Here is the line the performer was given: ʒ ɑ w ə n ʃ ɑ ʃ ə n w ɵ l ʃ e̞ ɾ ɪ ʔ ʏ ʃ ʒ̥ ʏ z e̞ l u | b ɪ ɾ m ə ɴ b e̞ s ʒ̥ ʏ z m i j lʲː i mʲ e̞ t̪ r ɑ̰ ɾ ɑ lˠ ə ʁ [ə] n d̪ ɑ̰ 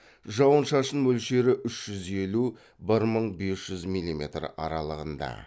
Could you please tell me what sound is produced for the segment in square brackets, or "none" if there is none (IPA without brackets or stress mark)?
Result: ə